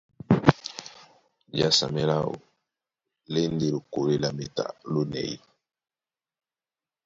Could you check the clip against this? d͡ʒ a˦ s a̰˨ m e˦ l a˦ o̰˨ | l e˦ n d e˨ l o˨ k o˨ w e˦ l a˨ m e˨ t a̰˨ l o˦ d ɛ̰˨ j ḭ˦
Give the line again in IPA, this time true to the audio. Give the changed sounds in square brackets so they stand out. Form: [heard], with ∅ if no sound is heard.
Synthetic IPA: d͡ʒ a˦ s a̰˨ m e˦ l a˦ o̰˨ | l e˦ n d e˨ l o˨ k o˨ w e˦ l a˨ m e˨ t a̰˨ l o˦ [n] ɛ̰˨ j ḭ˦